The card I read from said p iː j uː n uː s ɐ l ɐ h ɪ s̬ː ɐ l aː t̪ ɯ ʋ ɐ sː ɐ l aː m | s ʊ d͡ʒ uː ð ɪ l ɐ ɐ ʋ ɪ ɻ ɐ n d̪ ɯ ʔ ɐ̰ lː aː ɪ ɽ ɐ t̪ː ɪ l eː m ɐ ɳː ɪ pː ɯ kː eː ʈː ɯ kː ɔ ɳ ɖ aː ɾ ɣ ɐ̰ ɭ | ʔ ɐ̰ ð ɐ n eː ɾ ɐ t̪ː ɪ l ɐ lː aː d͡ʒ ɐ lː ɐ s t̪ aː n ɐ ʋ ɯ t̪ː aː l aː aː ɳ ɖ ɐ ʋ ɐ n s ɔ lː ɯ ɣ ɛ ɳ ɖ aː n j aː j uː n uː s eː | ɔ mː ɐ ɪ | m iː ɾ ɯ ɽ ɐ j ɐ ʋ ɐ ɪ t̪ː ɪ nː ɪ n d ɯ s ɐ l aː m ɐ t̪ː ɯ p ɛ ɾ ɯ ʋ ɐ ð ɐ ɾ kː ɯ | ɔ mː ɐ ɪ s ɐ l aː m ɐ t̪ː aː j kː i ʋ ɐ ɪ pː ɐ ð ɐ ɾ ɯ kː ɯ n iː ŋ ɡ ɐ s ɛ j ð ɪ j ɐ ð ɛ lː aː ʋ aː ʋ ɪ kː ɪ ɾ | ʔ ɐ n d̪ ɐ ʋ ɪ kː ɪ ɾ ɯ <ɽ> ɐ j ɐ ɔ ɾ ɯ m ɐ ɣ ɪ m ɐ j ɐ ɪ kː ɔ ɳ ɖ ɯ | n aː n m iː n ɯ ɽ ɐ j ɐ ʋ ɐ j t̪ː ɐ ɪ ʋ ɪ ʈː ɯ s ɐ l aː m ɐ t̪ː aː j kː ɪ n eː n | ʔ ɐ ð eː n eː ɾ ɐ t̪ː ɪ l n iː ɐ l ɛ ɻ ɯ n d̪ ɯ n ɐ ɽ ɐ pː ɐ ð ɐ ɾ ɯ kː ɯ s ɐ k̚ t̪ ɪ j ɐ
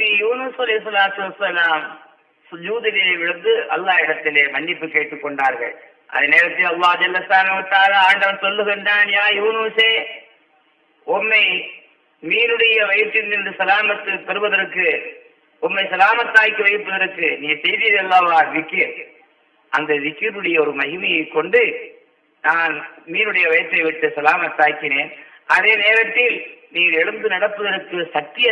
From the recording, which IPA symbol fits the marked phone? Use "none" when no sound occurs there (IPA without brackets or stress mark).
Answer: ɽ